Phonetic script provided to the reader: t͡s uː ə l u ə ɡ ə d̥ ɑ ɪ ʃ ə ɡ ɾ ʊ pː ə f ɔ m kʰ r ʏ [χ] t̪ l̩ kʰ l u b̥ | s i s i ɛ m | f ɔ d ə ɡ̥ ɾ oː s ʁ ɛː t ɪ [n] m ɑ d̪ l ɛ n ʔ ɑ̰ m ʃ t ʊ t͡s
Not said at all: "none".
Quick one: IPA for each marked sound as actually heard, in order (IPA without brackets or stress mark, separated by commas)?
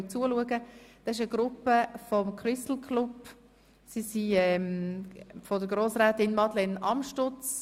s, n